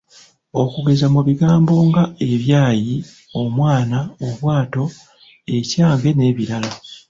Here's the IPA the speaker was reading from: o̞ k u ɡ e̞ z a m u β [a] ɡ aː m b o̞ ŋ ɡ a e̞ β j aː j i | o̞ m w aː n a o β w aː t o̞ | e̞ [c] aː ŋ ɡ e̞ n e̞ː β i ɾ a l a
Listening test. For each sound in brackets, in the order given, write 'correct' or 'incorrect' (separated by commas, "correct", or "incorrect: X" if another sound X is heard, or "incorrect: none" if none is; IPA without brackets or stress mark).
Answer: incorrect: i, correct